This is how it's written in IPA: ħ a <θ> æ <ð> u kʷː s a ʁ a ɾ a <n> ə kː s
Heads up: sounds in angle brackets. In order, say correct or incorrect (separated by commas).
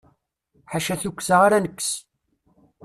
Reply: incorrect, incorrect, correct